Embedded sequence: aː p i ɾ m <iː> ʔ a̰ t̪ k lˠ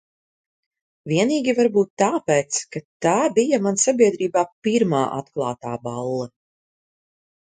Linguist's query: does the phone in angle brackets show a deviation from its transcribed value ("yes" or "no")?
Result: yes